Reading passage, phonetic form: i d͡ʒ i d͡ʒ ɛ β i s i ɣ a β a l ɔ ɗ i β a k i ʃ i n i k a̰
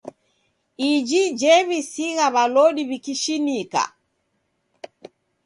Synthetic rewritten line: i d͡ʒ i d͡ʒ ɛ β i s i ɣ a β a l ɔ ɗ i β i k i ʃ i n i k a̰